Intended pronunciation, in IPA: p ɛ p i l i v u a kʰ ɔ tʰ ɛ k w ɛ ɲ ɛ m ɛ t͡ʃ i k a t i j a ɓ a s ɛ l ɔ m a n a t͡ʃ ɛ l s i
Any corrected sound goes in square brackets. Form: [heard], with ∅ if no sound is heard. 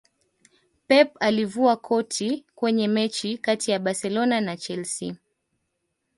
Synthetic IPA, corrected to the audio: p ɛ p [a] l i v u a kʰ ɔ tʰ [i] k w ɛ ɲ ɛ m ɛ t͡ʃ i k a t i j a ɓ a s ɛ l ɔ [n] a n a t͡ʃ ɛ l s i